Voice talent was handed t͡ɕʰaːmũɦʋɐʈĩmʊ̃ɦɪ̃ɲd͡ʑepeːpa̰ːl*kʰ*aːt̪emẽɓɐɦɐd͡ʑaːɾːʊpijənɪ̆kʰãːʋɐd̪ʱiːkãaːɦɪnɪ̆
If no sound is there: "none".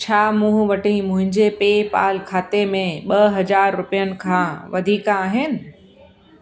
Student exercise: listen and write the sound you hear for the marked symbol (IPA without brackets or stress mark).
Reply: kʰ